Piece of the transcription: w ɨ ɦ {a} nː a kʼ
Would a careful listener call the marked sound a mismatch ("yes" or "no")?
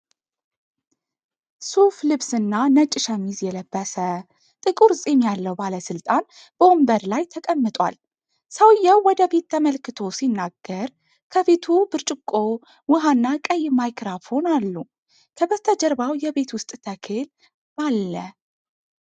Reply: no